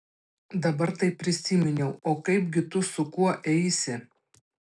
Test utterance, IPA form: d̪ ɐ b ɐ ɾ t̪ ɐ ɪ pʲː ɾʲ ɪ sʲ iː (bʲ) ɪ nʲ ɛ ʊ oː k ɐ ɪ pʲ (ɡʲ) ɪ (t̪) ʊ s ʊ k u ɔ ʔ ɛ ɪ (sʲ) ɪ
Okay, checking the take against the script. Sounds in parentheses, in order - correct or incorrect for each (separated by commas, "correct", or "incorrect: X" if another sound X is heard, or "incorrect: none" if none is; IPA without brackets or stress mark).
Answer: incorrect: mʲ, correct, correct, correct